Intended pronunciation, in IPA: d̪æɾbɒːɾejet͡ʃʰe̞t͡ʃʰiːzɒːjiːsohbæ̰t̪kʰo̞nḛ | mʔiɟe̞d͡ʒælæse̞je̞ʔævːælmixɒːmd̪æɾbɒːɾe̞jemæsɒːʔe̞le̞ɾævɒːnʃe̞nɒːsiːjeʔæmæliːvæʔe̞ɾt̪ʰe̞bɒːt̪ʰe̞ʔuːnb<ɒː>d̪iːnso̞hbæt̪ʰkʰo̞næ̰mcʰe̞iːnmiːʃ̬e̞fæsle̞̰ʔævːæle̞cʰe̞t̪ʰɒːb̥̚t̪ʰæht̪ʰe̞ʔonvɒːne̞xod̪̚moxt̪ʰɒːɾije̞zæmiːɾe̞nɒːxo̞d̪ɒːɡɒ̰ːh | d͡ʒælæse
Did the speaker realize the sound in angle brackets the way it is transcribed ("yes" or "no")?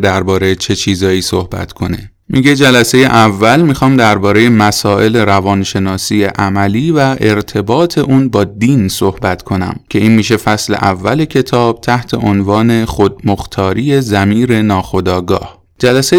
yes